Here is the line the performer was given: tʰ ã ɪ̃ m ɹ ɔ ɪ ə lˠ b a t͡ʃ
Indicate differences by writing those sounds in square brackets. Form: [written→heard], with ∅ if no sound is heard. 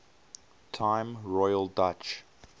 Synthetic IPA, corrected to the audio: tʰ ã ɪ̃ m ɹ ɔ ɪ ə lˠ [b→d] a t͡ʃ